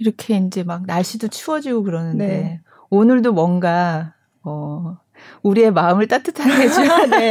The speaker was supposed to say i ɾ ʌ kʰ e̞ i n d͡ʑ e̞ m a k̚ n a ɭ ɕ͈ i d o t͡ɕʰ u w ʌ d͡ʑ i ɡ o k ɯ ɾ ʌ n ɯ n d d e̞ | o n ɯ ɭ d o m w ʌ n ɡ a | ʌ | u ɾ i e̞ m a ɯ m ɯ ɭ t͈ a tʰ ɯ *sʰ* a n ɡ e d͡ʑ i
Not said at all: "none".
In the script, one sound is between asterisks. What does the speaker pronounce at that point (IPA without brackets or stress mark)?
tʰ